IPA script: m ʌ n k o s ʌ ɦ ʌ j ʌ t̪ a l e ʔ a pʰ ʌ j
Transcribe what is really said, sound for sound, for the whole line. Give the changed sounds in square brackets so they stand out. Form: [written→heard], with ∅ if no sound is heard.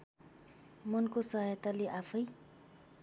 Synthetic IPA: m ʌ n k o s ʌ ɦ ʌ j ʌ t̪ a l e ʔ a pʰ ʌ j

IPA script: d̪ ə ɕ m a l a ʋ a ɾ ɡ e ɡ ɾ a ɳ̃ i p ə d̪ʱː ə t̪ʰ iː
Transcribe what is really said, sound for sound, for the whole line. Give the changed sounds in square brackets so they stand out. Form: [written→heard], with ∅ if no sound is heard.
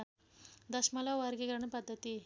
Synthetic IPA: d̪ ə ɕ m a l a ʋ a ɾ ɡ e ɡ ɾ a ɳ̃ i p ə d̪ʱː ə [t̪ʰ→t̪] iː

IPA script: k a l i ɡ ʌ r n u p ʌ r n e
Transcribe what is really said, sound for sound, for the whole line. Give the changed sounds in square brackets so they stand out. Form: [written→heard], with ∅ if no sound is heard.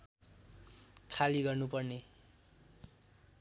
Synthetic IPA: [k→kʰ] a l i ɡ ʌ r n u p ʌ r n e

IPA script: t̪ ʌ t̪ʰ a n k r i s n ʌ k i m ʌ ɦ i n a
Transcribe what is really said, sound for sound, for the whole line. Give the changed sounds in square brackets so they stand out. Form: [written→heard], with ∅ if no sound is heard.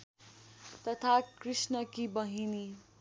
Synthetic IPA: t̪ ʌ t̪ʰ a [n→∅] k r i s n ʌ k i [m→b] ʌ ɦ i n [a→i]

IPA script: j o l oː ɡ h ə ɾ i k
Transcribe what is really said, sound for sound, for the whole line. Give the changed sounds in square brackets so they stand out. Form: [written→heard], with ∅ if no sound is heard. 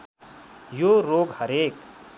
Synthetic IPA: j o [l→ɾ] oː ɡ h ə ɾ [i→e] k

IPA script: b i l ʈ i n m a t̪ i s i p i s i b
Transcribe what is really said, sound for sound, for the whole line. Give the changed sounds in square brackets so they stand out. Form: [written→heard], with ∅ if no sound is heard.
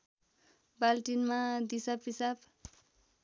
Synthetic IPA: b [i→a] l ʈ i n m a [t̪→d̪] i s [i→a] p i s [i→a] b

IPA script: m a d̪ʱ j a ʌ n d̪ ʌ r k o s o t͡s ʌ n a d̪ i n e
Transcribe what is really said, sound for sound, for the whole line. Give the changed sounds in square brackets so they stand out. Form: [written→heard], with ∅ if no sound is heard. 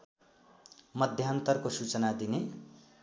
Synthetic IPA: m [a→ʌ] d̪ʱ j a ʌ n [d̪→t̪] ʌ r k o s [o→u] t͡s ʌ n a d̪ i n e

